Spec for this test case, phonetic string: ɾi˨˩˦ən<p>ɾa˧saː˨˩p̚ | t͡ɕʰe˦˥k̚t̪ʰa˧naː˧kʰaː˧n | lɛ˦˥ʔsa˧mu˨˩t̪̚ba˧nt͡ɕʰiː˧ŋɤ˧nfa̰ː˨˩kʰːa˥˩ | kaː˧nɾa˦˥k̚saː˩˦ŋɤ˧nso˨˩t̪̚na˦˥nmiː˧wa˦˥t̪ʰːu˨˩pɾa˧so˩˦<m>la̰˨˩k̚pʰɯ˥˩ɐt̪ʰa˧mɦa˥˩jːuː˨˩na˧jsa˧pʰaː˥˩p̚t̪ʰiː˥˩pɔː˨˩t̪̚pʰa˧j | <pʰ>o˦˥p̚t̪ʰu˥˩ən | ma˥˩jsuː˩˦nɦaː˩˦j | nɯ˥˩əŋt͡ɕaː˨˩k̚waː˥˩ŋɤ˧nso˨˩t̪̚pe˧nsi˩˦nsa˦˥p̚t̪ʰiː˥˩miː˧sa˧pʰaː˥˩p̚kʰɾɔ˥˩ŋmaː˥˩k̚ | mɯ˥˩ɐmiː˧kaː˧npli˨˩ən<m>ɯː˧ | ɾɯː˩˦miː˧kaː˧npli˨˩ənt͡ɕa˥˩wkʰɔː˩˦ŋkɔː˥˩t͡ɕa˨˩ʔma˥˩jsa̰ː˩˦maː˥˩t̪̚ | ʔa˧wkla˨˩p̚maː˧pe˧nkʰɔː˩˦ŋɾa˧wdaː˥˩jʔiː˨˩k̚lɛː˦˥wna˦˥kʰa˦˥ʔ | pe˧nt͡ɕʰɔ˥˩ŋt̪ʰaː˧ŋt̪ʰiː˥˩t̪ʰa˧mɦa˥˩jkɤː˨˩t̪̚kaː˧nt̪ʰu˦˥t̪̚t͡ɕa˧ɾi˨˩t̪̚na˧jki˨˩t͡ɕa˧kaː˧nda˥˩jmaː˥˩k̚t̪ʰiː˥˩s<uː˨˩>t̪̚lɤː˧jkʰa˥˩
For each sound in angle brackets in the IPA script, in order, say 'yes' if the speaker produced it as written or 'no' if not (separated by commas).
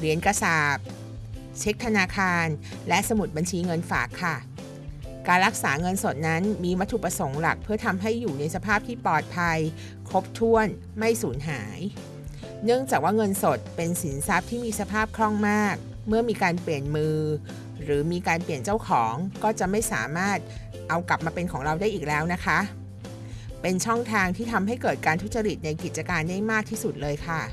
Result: no, no, no, yes, no